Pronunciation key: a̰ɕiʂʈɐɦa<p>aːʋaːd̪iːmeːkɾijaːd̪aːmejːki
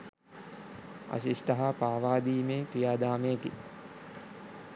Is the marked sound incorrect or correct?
correct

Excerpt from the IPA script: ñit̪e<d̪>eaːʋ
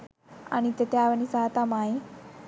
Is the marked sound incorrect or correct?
incorrect: t̪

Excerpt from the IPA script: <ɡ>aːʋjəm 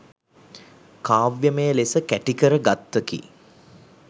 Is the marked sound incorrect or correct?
incorrect: k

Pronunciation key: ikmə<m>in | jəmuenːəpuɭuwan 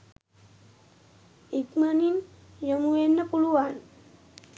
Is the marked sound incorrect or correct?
incorrect: n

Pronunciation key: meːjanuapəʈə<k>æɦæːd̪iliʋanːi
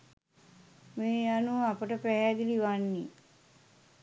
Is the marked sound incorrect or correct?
incorrect: p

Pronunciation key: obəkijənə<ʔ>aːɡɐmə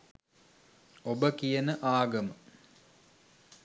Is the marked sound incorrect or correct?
correct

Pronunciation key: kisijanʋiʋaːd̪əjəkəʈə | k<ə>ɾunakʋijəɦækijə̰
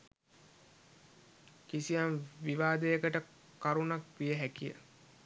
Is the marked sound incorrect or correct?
incorrect: a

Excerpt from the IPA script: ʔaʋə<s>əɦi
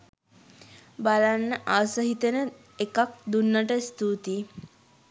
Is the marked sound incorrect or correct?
correct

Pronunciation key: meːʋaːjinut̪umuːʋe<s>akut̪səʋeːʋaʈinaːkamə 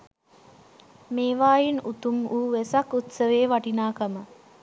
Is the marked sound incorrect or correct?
correct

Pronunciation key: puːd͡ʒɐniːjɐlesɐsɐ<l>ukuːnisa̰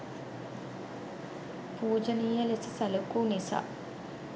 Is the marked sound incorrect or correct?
correct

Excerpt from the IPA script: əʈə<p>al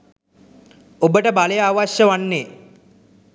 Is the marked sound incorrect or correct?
incorrect: b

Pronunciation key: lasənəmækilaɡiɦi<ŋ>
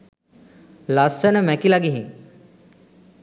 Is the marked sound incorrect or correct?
correct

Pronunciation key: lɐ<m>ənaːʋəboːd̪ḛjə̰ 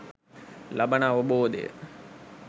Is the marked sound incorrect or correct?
incorrect: b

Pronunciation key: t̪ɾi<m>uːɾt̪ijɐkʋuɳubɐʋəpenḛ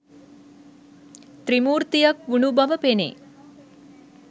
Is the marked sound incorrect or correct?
correct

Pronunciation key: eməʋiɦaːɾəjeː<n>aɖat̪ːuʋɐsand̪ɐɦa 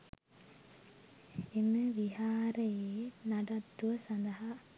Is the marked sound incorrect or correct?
correct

